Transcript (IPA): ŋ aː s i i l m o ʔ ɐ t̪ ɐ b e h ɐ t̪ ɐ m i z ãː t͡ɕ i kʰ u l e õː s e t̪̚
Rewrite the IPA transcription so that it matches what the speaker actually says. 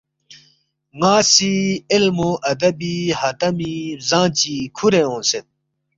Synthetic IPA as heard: ŋ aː s i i l m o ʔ ɐ d̪ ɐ b i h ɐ t̪ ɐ m i z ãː t͡ɕ i kʰ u ɾ e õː s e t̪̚